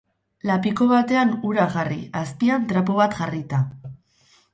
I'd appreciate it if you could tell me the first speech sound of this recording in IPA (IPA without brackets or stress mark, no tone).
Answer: l